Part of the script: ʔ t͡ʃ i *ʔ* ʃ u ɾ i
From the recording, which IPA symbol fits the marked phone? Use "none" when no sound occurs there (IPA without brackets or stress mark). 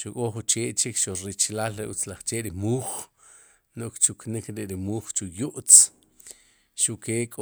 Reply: k